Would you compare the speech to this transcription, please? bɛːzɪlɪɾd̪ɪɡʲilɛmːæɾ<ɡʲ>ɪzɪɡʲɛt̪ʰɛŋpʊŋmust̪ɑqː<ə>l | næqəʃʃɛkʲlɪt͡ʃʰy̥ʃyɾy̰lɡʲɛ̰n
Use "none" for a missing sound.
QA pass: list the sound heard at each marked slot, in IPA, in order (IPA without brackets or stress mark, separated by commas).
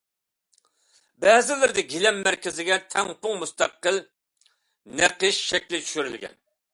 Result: kʲ, ə